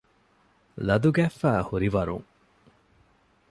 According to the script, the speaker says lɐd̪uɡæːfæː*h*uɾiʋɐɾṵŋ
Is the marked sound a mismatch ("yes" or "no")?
no